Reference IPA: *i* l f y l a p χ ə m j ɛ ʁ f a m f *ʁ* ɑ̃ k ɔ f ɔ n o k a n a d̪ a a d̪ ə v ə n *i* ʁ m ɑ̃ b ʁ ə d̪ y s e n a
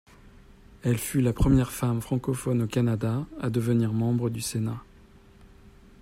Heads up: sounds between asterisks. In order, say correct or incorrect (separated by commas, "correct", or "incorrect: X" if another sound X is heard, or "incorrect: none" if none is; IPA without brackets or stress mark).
incorrect: ɛ, incorrect: χ, correct